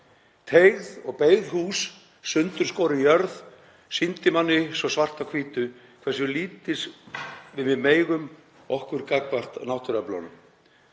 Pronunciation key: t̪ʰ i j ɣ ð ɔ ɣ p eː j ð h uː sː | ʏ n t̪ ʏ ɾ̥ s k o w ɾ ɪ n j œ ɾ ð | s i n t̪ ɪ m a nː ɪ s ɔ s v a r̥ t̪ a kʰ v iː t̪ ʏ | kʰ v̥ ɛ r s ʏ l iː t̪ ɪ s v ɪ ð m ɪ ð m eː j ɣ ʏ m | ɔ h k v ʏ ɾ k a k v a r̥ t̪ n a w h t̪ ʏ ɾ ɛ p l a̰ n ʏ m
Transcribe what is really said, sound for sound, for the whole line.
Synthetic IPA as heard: t̪ʰ e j ɣ ð ɔ ɣ p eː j ð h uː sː | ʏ n t̪ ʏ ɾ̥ s k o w ɾ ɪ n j œ ɾ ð | s i n t̪ ɪ m a nː ɪ s ɔ s v a r̥ t̪ a kʰ v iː t̪ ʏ | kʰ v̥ ɛ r s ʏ l iː t̪ ɪ s v ɪ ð m ɪ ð m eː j ɣ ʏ m | ɔ h k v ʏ ɾ k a k v a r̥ t̪ n a w h t̪ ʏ ɾ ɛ p l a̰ n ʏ m